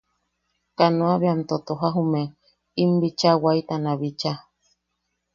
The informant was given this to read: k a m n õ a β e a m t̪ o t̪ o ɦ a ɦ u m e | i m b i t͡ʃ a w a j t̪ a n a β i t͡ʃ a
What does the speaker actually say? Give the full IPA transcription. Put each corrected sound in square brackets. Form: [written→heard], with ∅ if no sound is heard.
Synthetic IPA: k a [m→∅] n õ a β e a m t̪ o t̪ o ɦ a ɦ u m e | i m b i t͡ʃ a w a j t̪ a n a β i t͡ʃ a